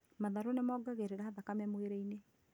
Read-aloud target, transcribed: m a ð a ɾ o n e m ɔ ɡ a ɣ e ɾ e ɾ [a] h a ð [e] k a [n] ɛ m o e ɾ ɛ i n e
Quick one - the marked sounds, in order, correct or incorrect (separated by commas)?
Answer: correct, incorrect, incorrect